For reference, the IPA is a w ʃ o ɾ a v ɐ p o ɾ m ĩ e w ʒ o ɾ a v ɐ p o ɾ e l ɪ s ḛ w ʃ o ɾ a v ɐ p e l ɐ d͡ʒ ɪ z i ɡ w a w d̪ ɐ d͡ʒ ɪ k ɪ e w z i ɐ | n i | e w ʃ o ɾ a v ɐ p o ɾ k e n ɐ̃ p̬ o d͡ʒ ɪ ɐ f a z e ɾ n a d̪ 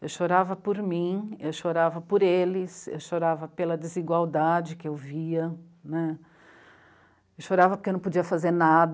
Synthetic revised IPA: e w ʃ o ɾ a v ɐ p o ɾ m ĩ e w ʃ o ɾ a v ɐ p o ɾ e l ɪ s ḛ w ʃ o ɾ a v ɐ p e l ɐ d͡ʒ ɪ z i ɡ w a w d̪ a d͡ʒ ɪ k ɪ e w v i ɐ | n ɛ | e w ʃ o ɾ a v ɐ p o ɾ k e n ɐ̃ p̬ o d͡ʒ i ɐ f a z e ɾ n a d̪